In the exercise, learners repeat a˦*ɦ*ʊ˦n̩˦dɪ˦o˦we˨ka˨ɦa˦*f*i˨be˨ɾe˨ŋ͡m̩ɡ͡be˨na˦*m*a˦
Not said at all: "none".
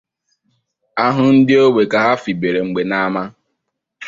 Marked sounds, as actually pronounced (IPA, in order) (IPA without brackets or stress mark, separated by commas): ɦ, f, m